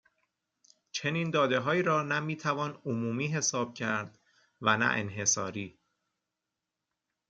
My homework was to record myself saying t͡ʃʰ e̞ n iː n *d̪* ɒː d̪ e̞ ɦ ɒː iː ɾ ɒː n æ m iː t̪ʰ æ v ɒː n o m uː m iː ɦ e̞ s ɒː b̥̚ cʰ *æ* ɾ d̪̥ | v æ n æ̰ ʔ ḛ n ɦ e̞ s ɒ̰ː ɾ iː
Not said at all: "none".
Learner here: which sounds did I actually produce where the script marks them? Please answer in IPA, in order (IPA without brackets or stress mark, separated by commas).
d̪, æ